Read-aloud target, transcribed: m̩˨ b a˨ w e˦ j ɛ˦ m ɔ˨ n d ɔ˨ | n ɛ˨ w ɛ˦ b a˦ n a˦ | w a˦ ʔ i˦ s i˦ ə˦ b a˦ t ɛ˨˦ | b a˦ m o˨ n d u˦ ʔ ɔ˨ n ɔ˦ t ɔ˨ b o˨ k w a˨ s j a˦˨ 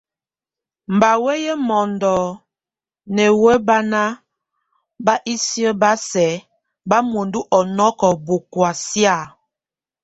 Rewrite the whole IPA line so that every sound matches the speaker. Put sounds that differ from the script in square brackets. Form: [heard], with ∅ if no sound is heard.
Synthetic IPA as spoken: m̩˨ b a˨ w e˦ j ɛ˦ m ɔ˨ n d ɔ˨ | n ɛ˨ w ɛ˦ b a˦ n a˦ | [b] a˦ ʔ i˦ s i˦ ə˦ b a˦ [s] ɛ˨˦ | b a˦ m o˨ n d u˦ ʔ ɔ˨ n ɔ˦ [k] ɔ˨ b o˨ k w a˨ s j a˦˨